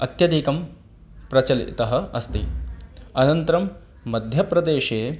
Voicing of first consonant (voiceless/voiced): voiceless